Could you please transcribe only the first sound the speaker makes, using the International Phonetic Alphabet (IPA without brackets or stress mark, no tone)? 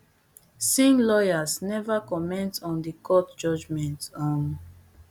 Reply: s